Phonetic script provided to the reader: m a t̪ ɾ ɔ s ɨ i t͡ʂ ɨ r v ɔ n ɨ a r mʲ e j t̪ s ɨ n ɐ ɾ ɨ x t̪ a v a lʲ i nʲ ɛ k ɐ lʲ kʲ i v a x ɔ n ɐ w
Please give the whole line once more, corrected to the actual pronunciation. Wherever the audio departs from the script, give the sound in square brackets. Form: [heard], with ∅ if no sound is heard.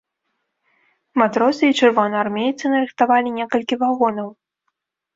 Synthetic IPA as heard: m a t̪ ɾ ɔ s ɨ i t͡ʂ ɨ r v ɔ n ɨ a r mʲ e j t̪ s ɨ n ɐ ɾ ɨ x t̪ a v a lʲ i nʲ ɛ k ɐ lʲ kʲ i v a [ɣ] ɔ n ɐ w